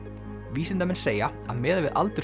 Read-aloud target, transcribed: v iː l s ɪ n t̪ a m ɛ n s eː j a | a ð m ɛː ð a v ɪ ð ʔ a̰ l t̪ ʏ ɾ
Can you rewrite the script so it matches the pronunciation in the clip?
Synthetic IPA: v iː s ɪ n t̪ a m ɛ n s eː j a | a ð m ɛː ð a v ɪ ð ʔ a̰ l t̪ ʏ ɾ